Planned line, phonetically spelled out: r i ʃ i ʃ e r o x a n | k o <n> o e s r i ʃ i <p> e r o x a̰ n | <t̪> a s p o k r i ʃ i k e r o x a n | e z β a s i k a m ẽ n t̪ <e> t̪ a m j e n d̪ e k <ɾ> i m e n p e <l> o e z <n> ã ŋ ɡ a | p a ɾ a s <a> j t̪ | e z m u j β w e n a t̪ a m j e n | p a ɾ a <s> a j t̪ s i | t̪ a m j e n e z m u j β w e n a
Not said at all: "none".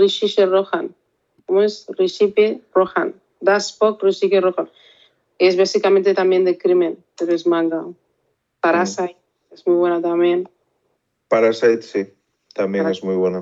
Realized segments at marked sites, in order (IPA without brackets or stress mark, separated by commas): m, p, d̪, e, ɾ, ɾ, m, a, s